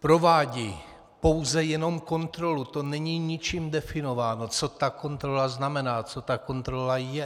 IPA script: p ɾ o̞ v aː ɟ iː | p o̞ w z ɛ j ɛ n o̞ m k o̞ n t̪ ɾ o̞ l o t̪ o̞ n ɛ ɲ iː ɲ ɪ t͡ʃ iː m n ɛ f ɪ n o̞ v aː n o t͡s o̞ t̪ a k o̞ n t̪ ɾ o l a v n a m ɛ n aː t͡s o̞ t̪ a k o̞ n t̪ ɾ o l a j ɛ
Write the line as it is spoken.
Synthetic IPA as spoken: p ɾ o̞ v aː ɟ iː | p o̞ w z ɛ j ɛ n o̞ m k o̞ n t̪ ɾ o̞ l u t̪ o̞ n ɛ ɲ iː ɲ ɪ t͡ʃ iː m d ɛ f ɪ n o̞ v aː n o t͡s o̞ t̪ a k o̞ n t̪ ɾ o l a z n a m ɛ n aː t͡s o̞ t̪ a k o̞ n t̪ ɾ o l a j ɛ